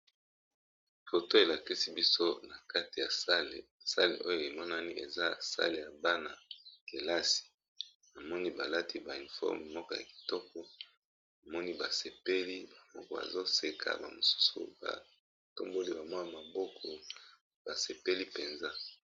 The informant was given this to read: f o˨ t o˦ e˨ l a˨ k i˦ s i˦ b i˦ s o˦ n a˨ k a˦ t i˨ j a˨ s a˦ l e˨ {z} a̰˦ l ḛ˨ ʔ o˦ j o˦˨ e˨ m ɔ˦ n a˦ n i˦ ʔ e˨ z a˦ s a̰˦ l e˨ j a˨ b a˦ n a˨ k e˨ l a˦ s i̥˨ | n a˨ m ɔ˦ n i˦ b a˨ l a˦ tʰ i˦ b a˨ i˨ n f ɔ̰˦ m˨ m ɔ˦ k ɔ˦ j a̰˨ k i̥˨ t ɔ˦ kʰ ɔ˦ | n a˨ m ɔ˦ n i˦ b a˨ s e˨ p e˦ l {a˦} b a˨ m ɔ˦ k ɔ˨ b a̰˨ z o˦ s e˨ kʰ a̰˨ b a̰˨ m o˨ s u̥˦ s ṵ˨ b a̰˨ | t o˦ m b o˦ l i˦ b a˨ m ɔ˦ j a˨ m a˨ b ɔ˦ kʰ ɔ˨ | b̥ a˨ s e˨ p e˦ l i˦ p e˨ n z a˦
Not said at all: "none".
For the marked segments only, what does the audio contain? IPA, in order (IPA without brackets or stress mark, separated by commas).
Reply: s, i˦